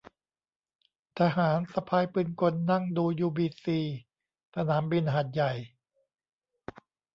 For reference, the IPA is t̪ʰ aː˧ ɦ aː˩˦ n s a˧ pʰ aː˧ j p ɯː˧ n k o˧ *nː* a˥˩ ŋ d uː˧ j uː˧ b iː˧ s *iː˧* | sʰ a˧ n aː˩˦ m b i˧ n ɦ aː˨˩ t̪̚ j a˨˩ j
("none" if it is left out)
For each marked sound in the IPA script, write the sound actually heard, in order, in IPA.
nː, iː˧

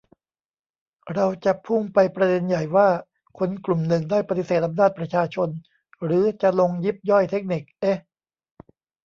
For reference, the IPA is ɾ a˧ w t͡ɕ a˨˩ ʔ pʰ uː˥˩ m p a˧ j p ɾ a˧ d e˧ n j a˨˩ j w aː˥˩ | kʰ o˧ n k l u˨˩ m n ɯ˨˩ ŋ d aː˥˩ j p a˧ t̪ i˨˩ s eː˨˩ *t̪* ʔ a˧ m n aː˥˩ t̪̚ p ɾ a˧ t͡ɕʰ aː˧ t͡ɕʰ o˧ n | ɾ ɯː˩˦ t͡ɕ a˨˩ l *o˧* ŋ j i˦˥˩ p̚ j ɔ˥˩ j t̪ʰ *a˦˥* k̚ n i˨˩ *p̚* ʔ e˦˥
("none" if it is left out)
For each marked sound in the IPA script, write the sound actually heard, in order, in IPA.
t̪, o˧, e˦˥, k̚

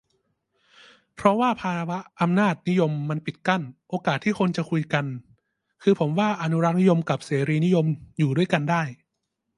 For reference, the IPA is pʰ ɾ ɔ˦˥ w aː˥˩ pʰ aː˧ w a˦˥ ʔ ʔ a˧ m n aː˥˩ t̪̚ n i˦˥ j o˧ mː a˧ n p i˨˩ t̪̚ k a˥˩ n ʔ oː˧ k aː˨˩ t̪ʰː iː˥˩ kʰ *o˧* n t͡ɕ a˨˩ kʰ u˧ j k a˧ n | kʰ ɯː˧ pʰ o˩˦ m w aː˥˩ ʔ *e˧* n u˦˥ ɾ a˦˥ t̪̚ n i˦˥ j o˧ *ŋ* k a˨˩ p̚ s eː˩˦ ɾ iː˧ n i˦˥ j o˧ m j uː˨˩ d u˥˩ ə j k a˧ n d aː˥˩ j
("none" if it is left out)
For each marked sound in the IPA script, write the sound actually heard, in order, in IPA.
o˧, a˧, m

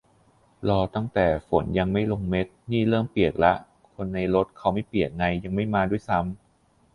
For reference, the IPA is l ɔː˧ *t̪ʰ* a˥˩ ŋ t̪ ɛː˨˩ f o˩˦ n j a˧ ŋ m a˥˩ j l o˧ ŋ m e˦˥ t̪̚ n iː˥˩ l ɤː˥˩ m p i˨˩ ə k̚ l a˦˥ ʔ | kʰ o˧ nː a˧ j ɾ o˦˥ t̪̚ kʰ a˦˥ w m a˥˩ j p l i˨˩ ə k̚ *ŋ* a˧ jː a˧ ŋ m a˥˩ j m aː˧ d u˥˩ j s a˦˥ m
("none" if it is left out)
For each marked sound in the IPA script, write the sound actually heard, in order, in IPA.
t̪, ŋ

